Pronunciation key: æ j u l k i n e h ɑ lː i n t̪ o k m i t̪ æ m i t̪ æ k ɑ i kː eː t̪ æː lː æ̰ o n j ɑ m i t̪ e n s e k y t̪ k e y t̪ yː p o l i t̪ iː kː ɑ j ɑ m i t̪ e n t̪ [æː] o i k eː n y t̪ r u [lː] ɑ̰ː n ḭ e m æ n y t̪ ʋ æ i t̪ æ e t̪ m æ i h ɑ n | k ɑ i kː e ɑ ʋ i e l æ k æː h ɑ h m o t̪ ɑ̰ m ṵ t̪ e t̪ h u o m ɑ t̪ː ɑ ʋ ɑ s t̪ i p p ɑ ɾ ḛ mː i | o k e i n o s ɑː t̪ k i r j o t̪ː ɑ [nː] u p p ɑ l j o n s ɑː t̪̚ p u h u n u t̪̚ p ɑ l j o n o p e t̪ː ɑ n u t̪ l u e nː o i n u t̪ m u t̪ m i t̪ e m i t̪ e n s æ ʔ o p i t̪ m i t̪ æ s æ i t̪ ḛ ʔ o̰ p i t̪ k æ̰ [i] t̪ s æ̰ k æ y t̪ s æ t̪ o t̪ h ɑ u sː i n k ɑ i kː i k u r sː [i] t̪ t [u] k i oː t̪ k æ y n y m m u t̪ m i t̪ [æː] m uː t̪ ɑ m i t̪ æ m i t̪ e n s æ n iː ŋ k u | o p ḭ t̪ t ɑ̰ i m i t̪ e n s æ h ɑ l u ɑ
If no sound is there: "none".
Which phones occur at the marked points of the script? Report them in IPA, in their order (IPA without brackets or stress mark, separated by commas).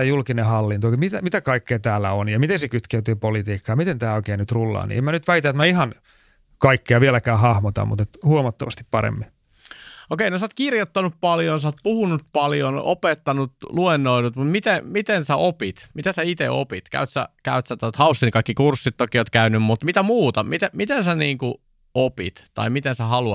æː, lː, n, y, i, o, æ